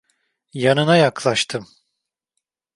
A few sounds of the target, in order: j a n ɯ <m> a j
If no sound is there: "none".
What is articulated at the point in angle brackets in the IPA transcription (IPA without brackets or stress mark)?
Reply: n